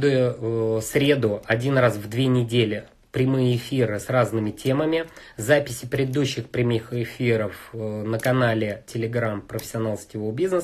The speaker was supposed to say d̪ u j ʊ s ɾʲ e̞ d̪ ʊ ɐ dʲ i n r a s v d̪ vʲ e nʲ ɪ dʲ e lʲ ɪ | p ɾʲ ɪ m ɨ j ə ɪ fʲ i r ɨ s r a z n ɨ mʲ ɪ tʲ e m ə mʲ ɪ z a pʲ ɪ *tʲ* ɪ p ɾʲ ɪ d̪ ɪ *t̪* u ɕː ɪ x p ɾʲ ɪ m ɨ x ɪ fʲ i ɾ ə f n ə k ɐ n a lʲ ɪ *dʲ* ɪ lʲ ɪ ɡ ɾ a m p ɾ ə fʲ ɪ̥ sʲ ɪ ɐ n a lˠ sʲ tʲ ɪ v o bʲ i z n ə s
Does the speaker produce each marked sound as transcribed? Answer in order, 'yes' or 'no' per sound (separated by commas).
no, no, no